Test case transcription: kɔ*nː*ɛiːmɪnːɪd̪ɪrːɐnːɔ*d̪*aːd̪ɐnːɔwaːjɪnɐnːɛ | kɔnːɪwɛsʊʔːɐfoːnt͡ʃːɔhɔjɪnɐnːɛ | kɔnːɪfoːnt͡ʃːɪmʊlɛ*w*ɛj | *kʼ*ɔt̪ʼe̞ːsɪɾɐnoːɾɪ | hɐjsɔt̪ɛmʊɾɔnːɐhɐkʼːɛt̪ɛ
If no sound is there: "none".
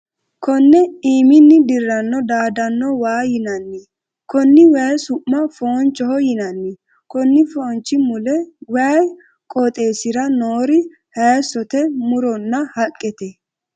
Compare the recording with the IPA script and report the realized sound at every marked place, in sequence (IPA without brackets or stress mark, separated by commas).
nː, d̪, w, kʼ